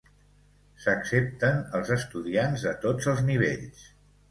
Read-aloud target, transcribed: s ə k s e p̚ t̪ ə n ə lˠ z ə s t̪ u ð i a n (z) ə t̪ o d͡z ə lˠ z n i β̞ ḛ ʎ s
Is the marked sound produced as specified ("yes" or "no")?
yes